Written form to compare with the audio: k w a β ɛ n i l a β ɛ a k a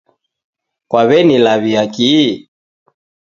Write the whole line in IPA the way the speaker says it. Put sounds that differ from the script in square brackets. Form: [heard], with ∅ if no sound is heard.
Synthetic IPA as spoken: k w a β ɛ n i l a β [i] a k [i]